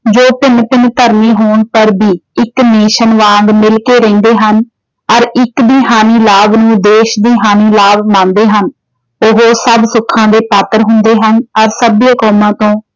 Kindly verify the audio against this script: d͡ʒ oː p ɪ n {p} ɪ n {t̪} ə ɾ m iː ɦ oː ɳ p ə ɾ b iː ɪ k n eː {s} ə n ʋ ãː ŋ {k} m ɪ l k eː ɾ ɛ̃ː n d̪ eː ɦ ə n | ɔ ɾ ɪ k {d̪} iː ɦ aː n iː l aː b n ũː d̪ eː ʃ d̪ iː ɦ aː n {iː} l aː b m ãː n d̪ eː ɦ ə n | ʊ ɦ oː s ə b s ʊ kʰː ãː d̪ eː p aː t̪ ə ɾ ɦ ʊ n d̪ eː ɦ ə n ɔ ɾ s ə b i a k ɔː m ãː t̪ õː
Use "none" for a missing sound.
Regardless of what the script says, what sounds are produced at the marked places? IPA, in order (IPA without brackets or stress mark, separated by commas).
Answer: p, t̪, ʃ, ɡ, d̪, iː